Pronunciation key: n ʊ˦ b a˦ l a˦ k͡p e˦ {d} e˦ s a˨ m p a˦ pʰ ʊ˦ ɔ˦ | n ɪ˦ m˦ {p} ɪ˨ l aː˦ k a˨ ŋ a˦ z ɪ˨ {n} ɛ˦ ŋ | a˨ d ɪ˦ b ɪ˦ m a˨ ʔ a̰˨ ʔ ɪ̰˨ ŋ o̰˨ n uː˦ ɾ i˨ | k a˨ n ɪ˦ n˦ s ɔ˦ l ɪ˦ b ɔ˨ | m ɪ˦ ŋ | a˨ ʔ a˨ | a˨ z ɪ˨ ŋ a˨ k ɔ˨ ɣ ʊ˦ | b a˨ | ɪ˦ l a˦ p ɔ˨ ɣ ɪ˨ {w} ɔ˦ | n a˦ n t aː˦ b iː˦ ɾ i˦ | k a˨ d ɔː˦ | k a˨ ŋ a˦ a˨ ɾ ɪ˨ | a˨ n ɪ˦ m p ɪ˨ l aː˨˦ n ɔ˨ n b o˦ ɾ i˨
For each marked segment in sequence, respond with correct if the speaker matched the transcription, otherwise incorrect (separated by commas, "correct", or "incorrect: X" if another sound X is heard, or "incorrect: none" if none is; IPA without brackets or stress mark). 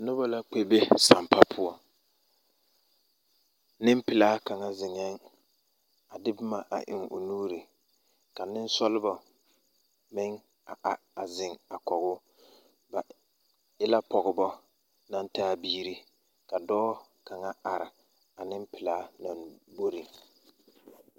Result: incorrect: b, correct, incorrect: ŋ, incorrect: b